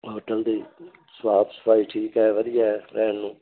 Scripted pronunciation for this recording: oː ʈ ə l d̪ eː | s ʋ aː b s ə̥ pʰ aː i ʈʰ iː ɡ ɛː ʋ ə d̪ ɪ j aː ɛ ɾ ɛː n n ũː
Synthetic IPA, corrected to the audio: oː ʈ ə l d̪ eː | s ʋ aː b s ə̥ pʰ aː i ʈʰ iː k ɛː ʋ ə d̪ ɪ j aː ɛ ɾ ɛː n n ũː